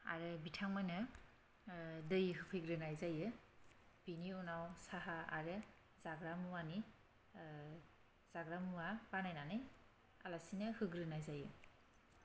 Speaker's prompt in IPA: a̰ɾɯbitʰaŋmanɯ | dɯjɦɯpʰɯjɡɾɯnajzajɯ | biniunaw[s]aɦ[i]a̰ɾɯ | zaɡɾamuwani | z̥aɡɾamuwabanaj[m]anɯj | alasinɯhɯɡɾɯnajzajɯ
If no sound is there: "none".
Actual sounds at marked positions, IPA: s, a, n

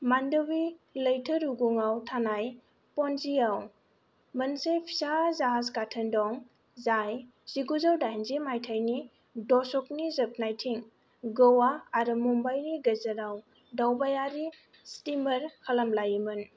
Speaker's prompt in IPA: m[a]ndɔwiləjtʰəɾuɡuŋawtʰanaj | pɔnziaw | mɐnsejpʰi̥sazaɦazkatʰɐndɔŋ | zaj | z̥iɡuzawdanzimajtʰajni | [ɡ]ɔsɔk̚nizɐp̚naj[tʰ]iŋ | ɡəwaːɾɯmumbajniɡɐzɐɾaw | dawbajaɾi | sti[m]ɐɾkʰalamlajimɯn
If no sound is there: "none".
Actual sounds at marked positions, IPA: a, d, tʰ, m

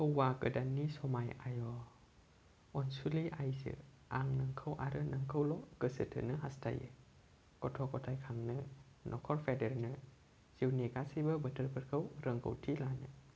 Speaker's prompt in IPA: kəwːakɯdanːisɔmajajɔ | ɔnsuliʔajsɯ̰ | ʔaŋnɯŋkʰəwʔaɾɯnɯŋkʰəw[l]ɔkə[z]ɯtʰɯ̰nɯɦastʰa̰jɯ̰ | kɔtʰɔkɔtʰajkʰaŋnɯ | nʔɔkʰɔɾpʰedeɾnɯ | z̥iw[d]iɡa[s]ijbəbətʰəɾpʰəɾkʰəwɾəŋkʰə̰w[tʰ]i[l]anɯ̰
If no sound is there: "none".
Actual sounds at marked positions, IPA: l, s, n, s, tʰ, l

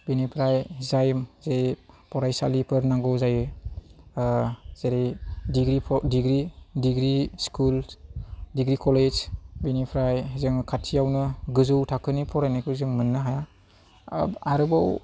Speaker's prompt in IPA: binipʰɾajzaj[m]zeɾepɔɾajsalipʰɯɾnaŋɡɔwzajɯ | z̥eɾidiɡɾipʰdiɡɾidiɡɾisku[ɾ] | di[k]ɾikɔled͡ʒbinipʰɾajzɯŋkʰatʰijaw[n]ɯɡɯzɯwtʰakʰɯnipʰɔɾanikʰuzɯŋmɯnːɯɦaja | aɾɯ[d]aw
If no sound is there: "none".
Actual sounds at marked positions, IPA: m, l, ɡ, n, b

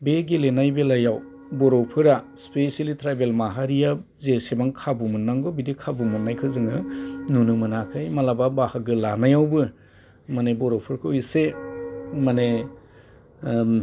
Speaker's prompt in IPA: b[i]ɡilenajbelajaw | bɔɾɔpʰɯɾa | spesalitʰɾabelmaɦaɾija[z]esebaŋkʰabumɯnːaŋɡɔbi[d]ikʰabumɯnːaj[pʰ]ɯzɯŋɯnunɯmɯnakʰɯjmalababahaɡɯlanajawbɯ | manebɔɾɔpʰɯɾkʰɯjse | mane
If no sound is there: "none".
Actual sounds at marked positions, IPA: e, z, d, kʰ

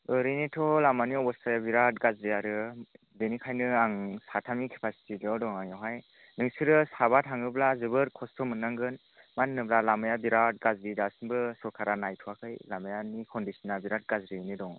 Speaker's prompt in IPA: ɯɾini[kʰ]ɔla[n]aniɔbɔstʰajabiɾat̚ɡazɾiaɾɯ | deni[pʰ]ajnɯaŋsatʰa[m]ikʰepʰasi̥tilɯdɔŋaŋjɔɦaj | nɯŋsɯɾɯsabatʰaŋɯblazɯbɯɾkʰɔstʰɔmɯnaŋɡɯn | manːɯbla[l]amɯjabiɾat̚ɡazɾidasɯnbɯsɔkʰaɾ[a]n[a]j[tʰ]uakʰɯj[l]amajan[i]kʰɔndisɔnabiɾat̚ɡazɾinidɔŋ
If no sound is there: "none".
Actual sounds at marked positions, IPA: tʰ, m, kʰ, m, l, a, a, tʰ, l, i

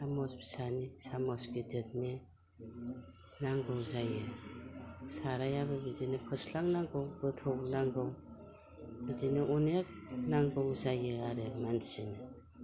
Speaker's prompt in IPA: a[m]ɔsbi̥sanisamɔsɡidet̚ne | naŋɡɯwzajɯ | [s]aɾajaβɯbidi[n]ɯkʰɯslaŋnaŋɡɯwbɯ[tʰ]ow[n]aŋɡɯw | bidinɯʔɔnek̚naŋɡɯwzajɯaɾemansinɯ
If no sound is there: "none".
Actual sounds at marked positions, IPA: m, s, n, tʰ, n

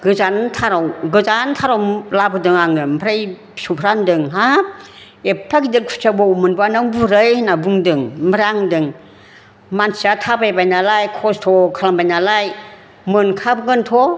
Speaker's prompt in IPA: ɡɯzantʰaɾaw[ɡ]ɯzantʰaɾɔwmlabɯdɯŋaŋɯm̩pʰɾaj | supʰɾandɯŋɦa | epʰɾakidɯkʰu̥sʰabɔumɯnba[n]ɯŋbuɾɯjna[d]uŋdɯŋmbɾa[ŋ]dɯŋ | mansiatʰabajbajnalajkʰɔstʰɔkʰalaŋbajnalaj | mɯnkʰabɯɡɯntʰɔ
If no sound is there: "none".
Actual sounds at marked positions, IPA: ɡ, n, b, ŋ

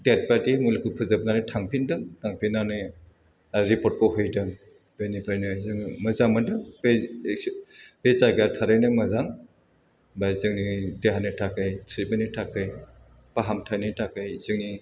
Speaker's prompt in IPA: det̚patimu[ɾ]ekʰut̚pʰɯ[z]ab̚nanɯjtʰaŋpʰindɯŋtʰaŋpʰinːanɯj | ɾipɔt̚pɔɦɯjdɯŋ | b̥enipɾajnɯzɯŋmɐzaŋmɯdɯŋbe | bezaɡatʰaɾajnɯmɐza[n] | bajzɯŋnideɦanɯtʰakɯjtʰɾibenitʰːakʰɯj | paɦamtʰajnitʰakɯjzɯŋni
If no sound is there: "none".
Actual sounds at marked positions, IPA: l, z, ŋ

